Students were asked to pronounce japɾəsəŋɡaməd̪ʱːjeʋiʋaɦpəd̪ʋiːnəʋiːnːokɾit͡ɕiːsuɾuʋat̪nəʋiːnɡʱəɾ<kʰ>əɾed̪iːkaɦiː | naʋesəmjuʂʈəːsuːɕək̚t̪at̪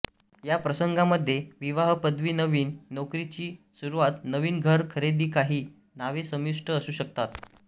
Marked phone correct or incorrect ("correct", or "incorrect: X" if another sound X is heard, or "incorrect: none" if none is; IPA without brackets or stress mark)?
correct